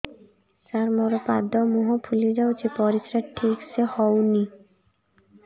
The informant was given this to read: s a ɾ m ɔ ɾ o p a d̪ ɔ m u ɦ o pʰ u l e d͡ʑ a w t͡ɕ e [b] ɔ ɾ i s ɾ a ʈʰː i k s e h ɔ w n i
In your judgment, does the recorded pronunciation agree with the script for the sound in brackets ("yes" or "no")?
no